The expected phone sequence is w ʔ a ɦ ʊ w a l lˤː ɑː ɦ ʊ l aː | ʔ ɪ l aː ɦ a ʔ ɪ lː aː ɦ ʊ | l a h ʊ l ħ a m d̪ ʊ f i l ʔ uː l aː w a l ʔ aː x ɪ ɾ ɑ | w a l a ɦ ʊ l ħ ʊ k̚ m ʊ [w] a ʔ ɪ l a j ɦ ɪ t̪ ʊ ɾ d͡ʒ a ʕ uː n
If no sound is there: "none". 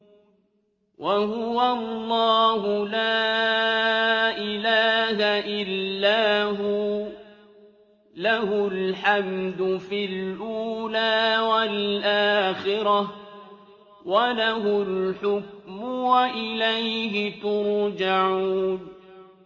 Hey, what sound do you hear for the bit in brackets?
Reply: w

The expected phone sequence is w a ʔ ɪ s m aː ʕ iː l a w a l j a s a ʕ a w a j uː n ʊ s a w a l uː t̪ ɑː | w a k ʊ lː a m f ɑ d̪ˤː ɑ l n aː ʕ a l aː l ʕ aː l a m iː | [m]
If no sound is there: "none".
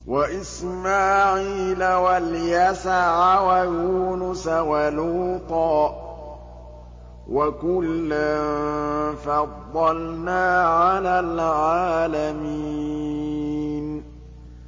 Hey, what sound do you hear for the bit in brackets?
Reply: n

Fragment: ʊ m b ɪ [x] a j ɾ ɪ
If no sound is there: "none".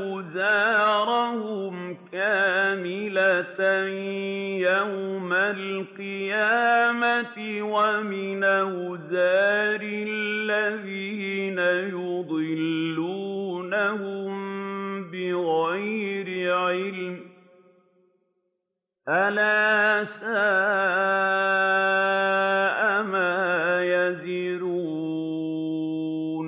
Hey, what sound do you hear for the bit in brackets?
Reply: ɣ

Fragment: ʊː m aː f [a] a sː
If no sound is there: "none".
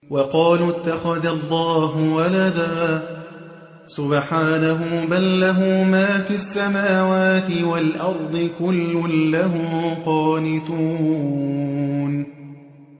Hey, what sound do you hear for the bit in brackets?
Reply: i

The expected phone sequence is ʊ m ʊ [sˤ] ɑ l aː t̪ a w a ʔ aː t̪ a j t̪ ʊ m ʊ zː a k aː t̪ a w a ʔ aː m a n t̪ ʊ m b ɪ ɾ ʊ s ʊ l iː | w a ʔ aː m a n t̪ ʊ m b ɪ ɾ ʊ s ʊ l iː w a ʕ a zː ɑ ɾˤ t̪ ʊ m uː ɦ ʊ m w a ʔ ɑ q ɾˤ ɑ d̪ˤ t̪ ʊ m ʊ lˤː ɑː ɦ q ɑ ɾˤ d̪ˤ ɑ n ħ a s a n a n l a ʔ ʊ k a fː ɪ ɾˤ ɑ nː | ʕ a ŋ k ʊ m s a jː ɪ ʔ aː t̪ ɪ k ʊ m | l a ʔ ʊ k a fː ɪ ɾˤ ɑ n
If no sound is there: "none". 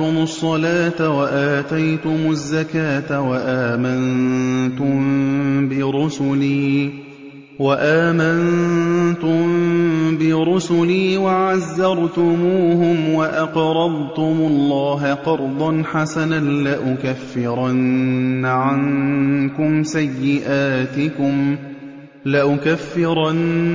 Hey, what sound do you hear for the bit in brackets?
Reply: sˤː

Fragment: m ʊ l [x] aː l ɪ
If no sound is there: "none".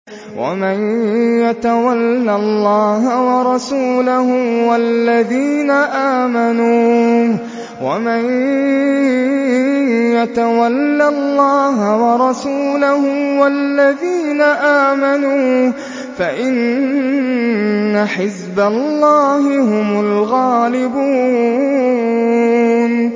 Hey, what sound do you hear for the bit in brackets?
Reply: ɣ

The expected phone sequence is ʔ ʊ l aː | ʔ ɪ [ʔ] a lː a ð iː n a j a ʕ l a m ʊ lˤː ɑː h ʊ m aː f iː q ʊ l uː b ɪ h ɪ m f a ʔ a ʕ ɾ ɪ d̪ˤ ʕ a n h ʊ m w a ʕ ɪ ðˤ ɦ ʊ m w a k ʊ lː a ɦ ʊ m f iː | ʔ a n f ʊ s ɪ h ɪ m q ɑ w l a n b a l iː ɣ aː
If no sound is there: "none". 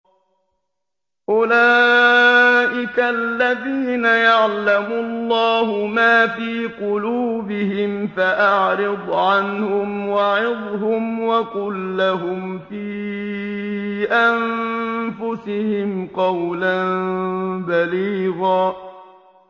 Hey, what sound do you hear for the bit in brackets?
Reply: k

